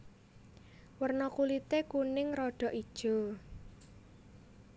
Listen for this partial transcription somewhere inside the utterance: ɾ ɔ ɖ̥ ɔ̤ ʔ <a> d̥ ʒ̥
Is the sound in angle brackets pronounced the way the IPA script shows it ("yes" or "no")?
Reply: no